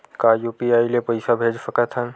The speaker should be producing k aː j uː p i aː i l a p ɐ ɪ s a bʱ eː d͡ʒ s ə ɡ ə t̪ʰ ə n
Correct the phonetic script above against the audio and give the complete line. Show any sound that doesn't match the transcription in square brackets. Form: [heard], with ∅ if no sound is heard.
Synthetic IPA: k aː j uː p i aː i l [e] p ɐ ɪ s a bʱ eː d͡ʒ s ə [k] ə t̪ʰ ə n

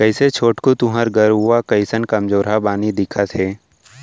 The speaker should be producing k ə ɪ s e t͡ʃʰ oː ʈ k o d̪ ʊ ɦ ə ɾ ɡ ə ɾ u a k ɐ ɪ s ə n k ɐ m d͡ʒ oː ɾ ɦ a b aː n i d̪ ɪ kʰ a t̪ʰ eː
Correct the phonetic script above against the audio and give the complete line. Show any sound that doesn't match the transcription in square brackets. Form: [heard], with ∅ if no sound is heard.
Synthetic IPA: k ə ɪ s e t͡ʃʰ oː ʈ k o [t̪] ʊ ɦ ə ɾ ɡ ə ɾ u a k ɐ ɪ s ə n k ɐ m d͡ʒ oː ɾ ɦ a b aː n i d̪ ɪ kʰ a t̪ʰ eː

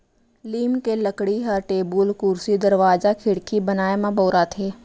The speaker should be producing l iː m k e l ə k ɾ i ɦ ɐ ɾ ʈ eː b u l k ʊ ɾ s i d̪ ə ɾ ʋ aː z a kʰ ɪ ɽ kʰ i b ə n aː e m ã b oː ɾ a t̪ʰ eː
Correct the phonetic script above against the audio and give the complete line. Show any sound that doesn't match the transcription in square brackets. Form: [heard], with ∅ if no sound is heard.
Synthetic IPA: l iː m k e l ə k [ɽ] i ɦ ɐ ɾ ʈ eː b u l k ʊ ɾ s i d̪ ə ɾ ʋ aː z a kʰ ɪ ɽ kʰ i b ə n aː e m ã b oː ɾ a t̪ʰ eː

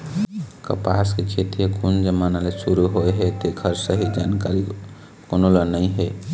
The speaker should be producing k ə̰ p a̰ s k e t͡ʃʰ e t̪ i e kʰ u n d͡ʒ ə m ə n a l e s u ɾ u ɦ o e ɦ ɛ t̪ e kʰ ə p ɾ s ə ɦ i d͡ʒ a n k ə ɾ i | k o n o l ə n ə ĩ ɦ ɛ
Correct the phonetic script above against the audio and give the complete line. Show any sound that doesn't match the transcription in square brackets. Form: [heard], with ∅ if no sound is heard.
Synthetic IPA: k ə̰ p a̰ s k e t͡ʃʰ e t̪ i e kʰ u n d͡ʒ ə m [a] n a l e s u ɾ u ɦ o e ɦ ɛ t̪ e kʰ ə [∅] ɾ s ə ɦ i d͡ʒ a n k [a] ɾ i | k o n o l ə n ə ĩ ɦ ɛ

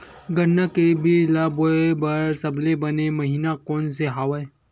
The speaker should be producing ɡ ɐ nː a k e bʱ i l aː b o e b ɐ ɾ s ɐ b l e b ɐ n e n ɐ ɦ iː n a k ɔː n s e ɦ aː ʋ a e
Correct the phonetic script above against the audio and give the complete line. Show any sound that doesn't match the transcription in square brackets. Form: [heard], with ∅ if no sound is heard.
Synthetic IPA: ɡ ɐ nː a k e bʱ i l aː b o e b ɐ ɾ s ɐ b l e b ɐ n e [m] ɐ ɦ iː n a k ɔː n s e ɦ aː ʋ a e

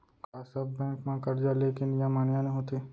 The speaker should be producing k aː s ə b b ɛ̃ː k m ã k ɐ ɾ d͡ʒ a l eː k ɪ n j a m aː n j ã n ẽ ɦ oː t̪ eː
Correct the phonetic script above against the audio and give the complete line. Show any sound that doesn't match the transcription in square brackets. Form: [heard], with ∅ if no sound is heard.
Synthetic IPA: k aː s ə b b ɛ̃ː k m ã k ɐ ɾ d͡ʒ a l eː k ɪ n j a m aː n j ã n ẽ ɦ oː t̪ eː

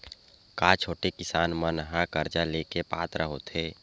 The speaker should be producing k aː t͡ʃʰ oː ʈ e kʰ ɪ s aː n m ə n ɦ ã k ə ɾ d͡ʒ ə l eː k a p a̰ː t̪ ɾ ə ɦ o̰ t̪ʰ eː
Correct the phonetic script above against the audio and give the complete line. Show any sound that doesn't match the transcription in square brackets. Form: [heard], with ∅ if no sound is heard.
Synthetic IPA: k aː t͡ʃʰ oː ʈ e [k] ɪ s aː n m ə n ɦ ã k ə ɾ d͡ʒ [a] l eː k [e] p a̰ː t̪ ɾ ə ɦ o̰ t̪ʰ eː

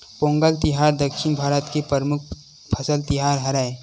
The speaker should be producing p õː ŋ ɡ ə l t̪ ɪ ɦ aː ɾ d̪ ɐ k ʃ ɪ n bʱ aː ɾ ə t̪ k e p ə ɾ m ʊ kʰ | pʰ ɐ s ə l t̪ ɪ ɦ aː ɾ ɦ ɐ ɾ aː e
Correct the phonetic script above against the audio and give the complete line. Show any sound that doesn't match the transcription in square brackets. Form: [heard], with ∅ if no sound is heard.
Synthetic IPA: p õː ŋ ɡ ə l t̪ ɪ ɦ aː ɾ d̪ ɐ k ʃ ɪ n bʱ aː ɾ ə t̪ k e p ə ɾ m ʊ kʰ | pʰ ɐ s ə l t̪ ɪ ɦ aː ɾ ɦ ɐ ɾ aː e

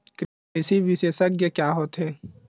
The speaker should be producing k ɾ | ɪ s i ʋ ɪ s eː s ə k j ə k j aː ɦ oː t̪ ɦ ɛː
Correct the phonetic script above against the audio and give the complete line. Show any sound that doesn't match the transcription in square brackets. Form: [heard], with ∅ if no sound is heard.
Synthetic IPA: k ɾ | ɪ s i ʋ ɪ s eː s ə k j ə k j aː ɦ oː t̪ ɦ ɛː

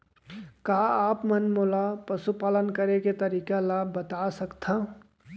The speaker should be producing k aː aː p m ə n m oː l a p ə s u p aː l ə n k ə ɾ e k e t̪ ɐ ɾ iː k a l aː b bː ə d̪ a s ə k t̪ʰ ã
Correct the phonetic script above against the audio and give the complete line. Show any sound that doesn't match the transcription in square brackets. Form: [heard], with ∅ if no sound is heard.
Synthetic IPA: k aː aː p m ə n m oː l a p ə s u p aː l ə n k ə ɾ e k e t̪ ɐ ɾ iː k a l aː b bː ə [t̪] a s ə k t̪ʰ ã

